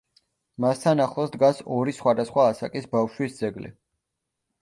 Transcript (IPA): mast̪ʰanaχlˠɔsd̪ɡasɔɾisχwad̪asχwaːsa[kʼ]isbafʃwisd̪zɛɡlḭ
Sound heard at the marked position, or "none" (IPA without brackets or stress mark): kʼ